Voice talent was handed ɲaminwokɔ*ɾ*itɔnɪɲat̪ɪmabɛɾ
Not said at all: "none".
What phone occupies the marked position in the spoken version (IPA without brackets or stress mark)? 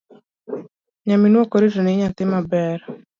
ɾ